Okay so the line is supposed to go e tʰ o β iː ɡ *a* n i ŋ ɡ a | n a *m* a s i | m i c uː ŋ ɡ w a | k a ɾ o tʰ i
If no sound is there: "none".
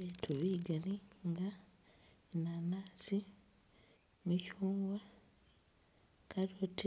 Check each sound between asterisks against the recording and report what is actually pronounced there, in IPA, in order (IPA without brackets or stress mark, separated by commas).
a, n